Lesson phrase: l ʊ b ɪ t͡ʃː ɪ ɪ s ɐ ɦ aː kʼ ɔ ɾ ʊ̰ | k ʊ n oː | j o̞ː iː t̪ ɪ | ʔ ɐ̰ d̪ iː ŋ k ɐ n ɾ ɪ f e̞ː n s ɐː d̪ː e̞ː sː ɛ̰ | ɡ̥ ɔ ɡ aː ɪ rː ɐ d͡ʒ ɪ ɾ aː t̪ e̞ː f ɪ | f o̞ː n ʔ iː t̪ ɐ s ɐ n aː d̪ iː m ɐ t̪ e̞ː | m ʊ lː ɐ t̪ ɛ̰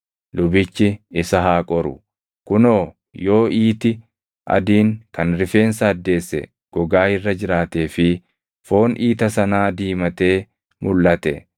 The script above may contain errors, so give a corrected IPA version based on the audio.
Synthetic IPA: l ʊ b ɪ t͡ʃː ɪ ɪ s ɐ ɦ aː kʼ ɔ ɾ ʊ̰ | k ʊ n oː | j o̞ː iː t̪ ɪ | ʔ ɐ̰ d̪ iː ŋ k ɐ n ɾ ɪ f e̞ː n s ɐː d̪ː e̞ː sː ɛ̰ | ɡ̥ ɔ ɡ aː ɪ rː ɐ d͡ʒ ɪ ɾ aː t̪ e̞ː f ɪ | f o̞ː n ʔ iː t̪ ɐ s ɐ n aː d̪ iː m ɐ t̪ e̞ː | m ʊ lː ɐ t̪ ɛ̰